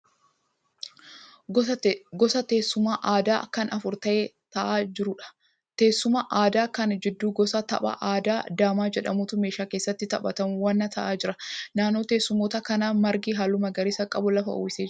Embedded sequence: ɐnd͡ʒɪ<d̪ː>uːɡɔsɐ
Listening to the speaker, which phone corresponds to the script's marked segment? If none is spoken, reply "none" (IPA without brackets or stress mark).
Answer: d̪ː